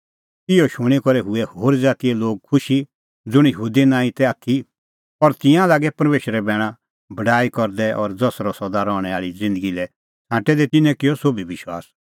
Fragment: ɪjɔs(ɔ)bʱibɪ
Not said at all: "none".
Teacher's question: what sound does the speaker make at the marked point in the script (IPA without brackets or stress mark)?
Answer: o